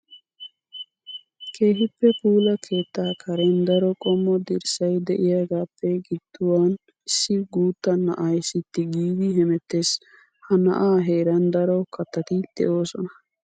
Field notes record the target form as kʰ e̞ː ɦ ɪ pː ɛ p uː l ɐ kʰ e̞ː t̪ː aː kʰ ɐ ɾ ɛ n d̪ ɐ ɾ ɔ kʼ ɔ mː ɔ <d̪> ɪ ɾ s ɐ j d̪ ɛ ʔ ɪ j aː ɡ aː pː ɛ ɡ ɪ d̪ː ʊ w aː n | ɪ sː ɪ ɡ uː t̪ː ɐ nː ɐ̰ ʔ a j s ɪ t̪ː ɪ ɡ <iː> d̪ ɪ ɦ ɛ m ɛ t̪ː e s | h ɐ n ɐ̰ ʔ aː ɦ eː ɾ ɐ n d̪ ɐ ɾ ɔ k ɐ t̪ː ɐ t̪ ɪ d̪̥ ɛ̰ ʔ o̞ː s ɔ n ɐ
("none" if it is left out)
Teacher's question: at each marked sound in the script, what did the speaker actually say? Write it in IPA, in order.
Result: d̪, iː

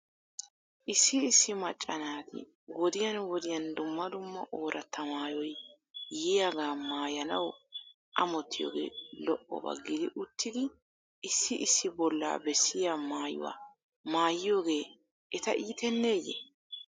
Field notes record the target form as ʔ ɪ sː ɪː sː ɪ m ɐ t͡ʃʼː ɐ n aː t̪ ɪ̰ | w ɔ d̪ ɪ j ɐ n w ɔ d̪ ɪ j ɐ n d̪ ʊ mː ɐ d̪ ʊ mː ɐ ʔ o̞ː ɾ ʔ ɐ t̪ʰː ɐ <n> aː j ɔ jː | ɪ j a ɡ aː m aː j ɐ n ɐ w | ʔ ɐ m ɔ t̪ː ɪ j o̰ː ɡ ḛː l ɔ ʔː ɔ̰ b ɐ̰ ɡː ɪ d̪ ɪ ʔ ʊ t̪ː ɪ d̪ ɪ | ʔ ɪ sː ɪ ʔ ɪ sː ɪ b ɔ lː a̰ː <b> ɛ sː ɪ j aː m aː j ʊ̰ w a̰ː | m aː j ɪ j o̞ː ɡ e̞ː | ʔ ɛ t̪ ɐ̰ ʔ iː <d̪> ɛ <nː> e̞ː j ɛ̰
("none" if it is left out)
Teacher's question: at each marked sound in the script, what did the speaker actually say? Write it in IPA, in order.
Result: m, b, t̪, nː

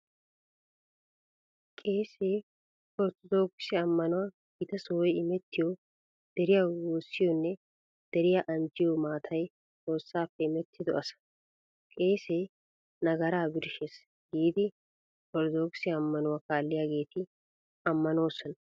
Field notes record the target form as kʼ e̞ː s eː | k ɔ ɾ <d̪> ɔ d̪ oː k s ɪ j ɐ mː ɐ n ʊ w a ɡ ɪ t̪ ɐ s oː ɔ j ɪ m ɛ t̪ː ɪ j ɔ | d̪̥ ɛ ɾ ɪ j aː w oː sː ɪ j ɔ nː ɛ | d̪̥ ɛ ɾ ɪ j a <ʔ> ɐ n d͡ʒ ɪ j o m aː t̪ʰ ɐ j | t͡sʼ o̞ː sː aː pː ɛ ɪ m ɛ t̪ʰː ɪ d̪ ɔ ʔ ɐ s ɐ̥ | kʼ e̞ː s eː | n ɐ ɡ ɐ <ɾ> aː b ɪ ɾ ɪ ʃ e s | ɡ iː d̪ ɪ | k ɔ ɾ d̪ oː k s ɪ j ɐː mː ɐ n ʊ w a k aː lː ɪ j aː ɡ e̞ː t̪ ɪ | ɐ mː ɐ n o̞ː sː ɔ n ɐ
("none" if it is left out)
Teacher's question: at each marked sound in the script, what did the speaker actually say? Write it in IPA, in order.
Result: t̪, ʔ, ɾ

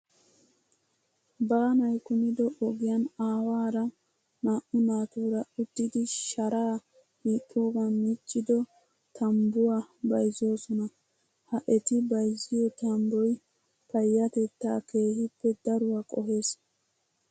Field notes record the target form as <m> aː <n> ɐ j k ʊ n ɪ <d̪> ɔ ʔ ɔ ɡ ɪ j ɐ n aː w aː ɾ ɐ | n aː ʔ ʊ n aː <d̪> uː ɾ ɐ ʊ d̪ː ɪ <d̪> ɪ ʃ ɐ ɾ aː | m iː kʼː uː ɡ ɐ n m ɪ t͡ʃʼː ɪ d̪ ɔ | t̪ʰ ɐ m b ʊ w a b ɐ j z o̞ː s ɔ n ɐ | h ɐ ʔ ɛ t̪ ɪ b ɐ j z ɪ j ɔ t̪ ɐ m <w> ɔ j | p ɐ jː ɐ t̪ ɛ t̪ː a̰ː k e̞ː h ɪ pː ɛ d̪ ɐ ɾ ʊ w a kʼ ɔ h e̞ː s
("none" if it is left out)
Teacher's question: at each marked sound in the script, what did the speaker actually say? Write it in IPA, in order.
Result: b, n, d̪, t̪, d̪, b

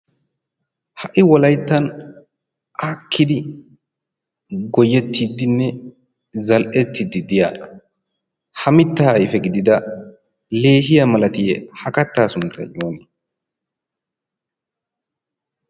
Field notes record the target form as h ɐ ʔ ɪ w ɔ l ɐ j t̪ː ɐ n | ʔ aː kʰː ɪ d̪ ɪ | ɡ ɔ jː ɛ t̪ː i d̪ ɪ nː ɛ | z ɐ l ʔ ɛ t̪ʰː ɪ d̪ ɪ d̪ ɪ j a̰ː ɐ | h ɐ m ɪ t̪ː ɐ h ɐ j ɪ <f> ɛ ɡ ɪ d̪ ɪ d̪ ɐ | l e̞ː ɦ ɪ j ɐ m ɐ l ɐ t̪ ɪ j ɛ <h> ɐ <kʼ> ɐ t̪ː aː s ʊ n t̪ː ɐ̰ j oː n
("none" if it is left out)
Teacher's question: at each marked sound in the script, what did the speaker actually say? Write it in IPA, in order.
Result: f, h, k

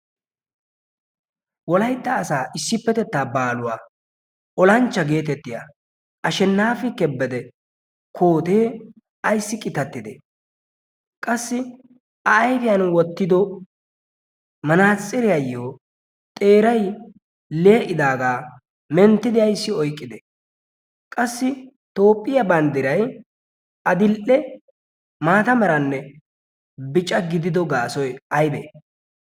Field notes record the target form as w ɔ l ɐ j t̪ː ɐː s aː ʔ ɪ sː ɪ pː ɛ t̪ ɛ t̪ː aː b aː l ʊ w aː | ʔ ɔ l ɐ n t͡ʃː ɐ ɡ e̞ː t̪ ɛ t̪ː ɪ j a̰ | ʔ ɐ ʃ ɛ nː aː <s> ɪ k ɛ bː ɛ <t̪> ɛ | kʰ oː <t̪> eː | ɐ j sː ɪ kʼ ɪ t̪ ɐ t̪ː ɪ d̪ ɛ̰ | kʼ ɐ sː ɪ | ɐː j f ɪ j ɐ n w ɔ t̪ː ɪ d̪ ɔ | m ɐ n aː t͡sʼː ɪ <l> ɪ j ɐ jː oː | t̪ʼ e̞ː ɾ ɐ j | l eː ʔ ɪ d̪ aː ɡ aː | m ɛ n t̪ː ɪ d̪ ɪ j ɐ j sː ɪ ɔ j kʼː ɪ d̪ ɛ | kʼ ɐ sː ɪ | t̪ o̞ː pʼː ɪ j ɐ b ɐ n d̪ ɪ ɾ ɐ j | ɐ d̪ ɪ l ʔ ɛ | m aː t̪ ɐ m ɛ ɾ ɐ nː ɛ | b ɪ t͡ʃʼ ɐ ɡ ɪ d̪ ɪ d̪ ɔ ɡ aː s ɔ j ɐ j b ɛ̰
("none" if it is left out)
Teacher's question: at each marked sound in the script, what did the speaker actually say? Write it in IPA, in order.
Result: f, d̪, t̪, ɾ

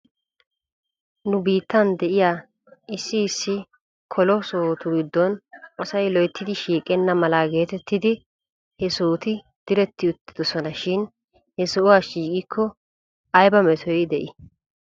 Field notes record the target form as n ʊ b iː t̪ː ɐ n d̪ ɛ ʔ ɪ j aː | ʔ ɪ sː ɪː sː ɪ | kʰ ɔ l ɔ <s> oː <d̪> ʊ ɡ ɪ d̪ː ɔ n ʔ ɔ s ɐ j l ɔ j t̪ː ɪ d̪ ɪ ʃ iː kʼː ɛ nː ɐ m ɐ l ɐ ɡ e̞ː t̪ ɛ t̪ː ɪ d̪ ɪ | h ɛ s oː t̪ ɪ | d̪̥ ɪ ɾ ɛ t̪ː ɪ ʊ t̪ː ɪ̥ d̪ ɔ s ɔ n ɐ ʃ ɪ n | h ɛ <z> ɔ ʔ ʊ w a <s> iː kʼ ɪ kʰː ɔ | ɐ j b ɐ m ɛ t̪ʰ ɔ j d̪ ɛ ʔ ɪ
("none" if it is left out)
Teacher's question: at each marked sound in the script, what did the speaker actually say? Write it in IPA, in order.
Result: s, t̪, s, ʃ

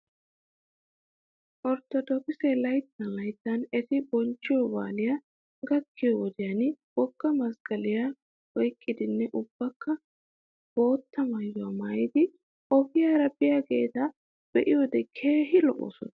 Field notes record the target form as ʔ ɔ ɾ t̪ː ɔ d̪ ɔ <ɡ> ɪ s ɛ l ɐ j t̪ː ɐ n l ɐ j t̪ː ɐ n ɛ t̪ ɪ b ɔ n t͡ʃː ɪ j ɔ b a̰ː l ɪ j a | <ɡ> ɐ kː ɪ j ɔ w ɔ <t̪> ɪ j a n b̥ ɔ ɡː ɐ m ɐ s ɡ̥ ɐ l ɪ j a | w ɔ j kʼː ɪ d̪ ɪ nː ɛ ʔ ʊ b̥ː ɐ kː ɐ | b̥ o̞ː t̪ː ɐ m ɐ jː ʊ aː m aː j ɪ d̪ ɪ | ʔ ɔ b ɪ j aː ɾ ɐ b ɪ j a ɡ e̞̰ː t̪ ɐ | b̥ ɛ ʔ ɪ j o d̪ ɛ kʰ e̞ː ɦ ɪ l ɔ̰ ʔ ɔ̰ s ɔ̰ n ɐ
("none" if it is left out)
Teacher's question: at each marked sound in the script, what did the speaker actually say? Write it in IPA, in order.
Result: k, ɡ, d̪

